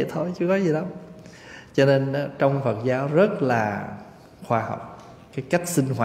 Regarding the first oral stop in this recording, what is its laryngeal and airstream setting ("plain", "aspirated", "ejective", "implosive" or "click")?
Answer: aspirated